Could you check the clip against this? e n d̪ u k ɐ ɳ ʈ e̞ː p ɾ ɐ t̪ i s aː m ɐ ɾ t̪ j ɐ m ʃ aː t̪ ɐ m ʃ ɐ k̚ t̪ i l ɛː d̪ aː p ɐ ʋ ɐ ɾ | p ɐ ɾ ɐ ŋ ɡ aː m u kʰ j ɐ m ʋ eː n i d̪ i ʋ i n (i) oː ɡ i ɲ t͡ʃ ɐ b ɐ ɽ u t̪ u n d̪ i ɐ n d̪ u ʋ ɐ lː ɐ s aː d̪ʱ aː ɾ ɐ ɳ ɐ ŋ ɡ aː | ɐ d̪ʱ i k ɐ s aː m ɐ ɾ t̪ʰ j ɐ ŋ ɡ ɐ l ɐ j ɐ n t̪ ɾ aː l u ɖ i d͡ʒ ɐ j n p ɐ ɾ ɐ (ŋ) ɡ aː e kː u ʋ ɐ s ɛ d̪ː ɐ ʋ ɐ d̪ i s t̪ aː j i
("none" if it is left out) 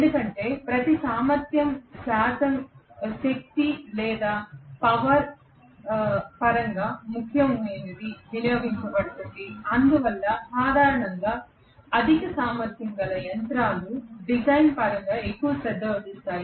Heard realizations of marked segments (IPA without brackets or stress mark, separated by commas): j, ŋ